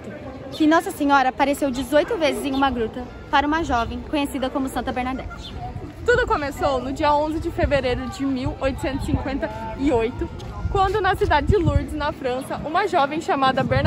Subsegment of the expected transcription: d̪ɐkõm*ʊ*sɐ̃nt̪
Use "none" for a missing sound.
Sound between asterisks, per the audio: ʊ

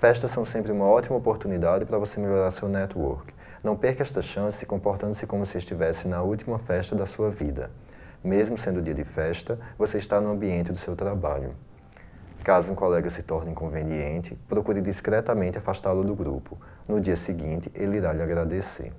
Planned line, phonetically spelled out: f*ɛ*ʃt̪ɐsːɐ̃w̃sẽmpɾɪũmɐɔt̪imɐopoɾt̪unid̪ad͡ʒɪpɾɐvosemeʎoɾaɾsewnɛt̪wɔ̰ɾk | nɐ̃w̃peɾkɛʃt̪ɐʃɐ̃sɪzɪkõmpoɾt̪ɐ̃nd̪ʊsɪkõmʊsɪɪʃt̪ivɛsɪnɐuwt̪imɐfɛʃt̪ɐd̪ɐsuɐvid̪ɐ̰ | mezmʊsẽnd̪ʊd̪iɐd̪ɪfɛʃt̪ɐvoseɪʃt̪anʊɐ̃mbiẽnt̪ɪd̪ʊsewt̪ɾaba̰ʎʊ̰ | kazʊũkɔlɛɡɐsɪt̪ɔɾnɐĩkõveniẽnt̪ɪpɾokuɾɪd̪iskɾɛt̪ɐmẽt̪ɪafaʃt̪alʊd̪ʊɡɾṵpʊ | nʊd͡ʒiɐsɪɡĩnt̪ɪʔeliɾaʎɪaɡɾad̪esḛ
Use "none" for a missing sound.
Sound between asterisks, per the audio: ɛ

